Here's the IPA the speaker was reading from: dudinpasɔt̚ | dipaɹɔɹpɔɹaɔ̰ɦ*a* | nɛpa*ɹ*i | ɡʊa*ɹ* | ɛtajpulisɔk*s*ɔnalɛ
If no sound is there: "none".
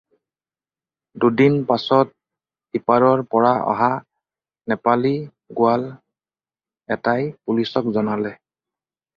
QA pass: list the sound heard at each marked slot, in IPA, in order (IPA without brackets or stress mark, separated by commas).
a, l, l, z